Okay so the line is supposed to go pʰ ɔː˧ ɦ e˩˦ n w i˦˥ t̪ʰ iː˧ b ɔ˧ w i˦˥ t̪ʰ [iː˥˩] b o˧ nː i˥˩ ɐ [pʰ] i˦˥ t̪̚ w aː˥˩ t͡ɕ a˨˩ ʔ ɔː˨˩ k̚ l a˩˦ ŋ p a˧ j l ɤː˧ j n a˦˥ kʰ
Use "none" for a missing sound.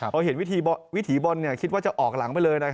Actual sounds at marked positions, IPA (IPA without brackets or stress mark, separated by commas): iː˩˦, kʰ